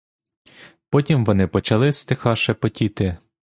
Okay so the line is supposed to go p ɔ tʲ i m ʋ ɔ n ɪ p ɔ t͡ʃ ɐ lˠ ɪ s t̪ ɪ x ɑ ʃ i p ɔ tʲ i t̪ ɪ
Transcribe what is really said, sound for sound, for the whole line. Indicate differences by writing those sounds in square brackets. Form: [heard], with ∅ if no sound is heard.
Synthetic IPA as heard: p ɔ tʲ i m ʋ ɔ n ɪ p ɔ t͡ʃ ɐ lˠ ɪ s t̪ ɪ x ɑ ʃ [ɛ] p ɔ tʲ i t̪ ɪ